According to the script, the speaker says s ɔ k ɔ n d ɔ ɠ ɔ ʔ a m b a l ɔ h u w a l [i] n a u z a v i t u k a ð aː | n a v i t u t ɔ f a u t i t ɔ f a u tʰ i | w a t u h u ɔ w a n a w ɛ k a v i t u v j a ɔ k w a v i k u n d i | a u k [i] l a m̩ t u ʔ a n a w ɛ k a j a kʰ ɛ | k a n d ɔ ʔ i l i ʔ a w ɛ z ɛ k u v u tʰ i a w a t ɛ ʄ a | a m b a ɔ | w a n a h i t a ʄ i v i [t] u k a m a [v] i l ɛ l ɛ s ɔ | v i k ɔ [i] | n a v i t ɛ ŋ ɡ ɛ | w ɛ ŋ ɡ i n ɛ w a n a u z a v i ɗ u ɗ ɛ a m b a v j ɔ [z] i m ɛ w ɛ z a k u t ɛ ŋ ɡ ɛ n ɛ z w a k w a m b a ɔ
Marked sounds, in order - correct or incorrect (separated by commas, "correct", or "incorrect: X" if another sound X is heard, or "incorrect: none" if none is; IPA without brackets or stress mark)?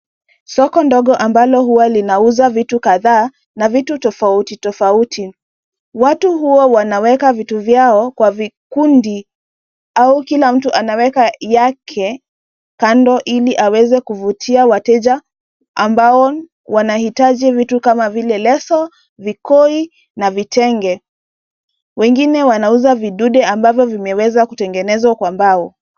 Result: correct, correct, correct, correct, correct, incorrect: v